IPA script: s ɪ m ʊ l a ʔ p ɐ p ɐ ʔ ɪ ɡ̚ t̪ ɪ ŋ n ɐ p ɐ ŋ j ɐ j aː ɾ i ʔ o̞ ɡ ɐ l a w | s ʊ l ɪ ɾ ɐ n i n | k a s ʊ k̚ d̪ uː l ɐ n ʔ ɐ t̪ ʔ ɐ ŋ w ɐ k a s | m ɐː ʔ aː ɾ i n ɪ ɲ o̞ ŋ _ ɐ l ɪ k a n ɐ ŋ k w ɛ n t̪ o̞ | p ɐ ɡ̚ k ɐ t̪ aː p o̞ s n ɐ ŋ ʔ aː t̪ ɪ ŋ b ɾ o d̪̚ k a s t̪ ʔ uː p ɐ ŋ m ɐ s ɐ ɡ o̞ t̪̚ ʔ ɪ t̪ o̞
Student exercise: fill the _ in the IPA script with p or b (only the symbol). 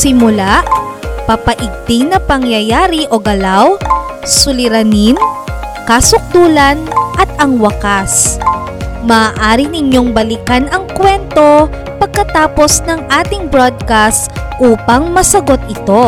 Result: b